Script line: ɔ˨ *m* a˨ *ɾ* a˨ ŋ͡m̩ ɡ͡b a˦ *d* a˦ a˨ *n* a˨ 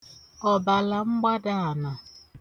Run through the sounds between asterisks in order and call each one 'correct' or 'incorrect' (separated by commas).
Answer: incorrect, incorrect, correct, correct